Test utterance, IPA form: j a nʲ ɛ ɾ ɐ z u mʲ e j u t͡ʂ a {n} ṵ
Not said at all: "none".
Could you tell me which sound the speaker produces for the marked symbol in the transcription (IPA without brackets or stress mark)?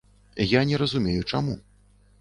m